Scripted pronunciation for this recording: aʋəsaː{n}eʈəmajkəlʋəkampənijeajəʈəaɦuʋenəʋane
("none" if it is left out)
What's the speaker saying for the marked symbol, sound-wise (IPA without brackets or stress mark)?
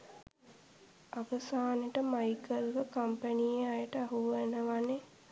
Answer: n